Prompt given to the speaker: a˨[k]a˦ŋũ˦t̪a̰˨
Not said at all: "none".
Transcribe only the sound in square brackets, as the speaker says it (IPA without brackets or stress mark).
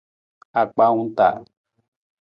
k͡p